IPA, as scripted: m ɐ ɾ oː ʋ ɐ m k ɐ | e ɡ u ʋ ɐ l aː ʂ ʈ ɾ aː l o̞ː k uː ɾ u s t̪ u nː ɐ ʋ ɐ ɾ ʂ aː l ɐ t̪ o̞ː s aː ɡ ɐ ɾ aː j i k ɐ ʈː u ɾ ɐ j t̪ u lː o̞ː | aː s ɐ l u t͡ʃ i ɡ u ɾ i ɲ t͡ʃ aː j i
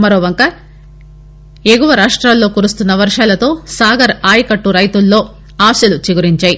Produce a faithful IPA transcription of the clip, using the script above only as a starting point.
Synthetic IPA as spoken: m ɐ ɾ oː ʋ ɐ ŋ k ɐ | e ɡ u ʋ ɐ ɾ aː ʂ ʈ ɾ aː lː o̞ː k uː ɾ u s t̪ u nː ɐ ʋ ɐ ɾ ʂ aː l ɐ t̪ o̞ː s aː ɡ ɐ ɾ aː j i k ɐ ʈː u ɾ ɐ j t̪ u lː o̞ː | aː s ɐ l u t͡ʃ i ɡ u ɾ i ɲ t͡ʃ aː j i